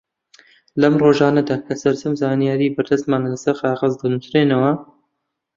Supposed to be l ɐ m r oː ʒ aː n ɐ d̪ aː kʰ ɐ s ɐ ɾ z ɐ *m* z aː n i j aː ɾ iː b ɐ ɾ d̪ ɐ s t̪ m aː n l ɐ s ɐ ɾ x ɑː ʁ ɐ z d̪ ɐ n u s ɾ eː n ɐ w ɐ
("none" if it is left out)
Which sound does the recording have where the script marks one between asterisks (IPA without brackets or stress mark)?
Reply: m